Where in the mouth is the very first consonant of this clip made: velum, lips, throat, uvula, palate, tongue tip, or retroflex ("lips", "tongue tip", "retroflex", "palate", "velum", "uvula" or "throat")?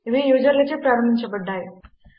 lips